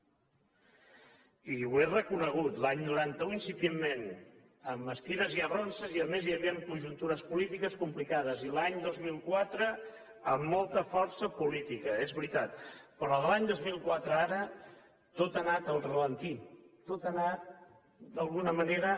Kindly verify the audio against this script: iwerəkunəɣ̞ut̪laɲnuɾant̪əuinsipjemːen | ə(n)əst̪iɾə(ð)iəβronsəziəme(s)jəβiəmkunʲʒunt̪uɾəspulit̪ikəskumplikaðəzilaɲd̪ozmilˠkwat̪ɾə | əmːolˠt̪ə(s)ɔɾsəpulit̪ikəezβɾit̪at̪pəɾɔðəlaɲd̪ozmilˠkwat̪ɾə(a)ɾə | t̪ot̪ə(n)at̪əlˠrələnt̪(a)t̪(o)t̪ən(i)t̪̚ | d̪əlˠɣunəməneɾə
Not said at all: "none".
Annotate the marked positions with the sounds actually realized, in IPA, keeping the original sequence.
m, z, z, f, a, n, i, o, a

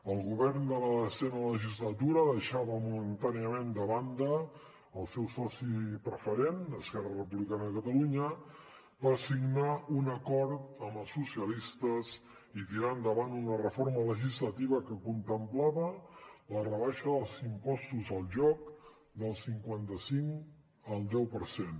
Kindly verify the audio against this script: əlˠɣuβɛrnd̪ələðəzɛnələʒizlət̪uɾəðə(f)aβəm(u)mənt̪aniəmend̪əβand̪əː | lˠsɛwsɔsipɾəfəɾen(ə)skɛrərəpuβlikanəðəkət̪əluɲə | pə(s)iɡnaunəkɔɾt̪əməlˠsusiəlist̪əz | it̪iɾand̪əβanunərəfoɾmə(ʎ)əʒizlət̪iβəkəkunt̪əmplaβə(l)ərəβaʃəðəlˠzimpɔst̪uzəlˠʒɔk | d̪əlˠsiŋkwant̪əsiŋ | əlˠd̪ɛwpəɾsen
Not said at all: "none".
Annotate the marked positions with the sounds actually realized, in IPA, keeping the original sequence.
ʃ, u, ə, s, l, l

